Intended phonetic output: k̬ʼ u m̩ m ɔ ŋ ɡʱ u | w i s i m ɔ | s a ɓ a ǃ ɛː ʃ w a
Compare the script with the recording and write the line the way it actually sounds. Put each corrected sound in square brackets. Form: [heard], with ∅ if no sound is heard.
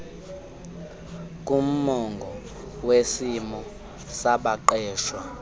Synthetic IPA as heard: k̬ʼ u m̩ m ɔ ŋ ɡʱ [ɔ] | w [e] s i m ɔ | s a ɓ a ǃ ɛː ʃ w a